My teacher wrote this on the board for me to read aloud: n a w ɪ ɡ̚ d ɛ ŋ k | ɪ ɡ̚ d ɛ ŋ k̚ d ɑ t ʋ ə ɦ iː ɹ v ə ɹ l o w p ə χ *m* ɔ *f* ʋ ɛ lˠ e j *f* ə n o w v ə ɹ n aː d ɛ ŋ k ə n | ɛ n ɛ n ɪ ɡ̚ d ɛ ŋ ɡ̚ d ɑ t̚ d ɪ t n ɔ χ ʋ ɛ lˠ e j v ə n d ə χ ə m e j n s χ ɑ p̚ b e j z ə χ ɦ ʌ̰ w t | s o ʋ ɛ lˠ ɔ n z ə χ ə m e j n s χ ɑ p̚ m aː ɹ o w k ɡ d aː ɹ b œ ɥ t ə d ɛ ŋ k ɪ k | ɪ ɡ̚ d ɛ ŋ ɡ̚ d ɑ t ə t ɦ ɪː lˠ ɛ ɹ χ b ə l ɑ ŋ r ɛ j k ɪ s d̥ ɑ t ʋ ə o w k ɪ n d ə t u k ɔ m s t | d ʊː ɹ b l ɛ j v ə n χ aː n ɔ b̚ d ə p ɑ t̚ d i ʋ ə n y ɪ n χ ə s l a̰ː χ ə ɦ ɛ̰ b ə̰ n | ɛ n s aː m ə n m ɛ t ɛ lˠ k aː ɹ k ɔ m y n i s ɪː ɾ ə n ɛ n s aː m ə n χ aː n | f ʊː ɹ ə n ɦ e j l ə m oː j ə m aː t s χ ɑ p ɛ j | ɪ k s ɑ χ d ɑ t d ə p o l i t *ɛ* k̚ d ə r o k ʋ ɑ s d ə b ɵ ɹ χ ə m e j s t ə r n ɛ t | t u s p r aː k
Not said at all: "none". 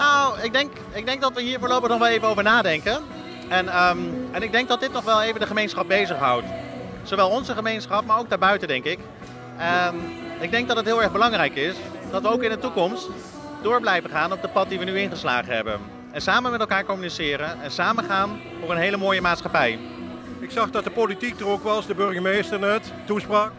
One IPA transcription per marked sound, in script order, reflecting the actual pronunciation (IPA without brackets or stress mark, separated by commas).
n, χ, v, i